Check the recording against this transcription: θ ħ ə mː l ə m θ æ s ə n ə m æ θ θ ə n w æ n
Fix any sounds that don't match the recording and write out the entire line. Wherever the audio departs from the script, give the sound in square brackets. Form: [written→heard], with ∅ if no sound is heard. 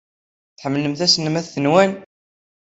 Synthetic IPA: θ ħ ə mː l ə m θ æ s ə n ə m æ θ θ ə n w æ n